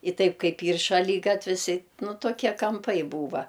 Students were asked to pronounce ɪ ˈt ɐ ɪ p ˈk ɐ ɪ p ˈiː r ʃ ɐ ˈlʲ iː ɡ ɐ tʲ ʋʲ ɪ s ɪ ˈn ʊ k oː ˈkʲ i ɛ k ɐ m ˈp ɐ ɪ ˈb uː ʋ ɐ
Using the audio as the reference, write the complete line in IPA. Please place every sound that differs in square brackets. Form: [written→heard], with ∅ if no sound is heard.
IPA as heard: ɪ ˈt ɐ ɪ p ˈk ɐ ɪ p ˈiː r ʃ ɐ ˈlʲ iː ɡ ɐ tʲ ʋʲ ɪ s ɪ ˈn ʊ [k→t] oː ˈkʲ i ɛ k ɐ m ˈp ɐ ɪ ˈb uː ʋ ɐ